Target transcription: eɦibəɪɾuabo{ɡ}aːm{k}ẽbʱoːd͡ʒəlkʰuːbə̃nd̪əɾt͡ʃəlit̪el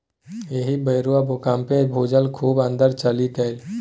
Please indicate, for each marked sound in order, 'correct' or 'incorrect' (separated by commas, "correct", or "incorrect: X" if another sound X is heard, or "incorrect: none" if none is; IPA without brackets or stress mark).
incorrect: k, incorrect: p